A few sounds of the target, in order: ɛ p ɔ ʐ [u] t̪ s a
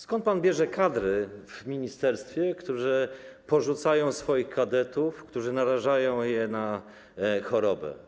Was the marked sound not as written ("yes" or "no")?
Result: no